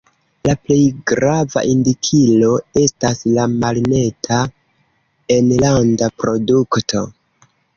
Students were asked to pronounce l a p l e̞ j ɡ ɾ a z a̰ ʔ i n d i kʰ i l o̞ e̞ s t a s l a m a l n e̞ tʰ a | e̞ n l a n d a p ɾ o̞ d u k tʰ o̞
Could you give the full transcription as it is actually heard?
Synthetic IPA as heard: l a p l e̞ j ɡ ɾ a v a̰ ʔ i n d i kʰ i l o̞ e̞ s t a s l a m a l n e̞ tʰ a | e̞ n l a n d a p ɾ o̞ d u k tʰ o̞